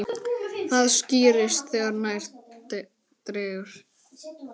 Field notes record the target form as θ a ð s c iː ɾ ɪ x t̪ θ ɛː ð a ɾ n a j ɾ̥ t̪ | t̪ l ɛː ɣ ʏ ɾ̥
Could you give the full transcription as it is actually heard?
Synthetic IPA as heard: θ a ð s c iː ɾ ɪ s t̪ θ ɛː ɣ a ɾ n a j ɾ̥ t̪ | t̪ ɾ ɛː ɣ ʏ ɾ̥

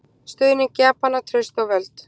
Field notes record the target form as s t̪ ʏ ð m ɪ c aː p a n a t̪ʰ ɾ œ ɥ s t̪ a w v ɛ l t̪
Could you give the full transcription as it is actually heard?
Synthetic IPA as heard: s t̪ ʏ ð n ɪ c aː p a n a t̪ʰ ɾ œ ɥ s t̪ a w v ɛ l t̪

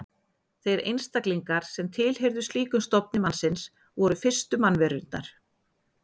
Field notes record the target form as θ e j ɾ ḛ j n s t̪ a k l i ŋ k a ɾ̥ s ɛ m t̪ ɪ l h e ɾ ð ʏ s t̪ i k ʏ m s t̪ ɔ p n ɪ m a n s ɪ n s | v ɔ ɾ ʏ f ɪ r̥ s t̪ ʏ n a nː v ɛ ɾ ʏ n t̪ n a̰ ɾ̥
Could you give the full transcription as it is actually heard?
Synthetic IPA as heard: θ e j ɾ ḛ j n s t̪ a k l i ŋ k a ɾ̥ s ɛ m t̪ʰ ɪ l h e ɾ ð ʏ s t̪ iː k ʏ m s t̪ ɔ p n ɪ m a n s ɪ n s | v ɔ ɾ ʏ f ɪ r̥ s t̪ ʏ m a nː v ɛ ɾ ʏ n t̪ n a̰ ɾ̥

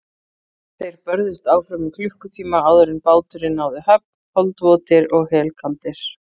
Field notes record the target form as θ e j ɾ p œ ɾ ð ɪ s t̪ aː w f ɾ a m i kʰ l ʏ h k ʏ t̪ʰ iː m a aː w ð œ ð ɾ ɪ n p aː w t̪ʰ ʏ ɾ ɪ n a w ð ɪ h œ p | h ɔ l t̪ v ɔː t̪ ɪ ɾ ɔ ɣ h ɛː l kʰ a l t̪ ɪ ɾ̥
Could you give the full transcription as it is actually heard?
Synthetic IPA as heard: θ e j ɾ p œ ɾ ð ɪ s t̪ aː w f ɾ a m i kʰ l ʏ h k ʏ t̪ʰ iː m a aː w ð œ ɾ ɪ n p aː w t̪ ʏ ɾ ɪ n a w ð ɪ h œ p | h ɔ l t̪ v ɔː t̪ ɪ ɾ ɔ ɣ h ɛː l kʰ a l t̪ ɪ ɾ̥

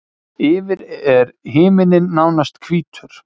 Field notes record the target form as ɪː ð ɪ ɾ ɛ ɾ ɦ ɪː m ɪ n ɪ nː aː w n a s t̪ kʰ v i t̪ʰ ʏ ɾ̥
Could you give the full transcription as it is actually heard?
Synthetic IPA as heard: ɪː v ɪ ɾ ɛ ɾ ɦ ɪː m ɪ n ɪ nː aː w n a s t̪ kʰ v iː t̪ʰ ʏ ɾ̥

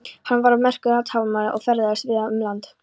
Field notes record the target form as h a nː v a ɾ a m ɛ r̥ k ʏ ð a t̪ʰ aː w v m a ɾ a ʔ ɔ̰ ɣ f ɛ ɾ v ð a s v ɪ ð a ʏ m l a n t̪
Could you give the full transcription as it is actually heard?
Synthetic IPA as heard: h a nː v a ɾ a m ɛ r̥ k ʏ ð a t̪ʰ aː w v m a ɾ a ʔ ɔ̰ ɣ f ɛ ɾ ð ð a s v ɪ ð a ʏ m l a n t̪

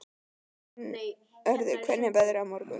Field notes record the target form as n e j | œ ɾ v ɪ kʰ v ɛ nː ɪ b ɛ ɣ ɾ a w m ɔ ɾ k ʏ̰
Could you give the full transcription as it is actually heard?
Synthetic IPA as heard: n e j | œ ɾ ð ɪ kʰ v ɛ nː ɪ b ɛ ð ɾ a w m ɔ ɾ k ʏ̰

